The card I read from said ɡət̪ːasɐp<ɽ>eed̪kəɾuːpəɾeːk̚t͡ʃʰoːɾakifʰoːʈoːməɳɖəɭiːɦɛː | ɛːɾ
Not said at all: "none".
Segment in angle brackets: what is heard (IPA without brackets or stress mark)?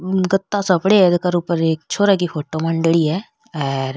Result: ɽ